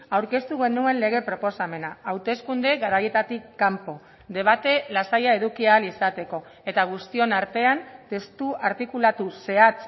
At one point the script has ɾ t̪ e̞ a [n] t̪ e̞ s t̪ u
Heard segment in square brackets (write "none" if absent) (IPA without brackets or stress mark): n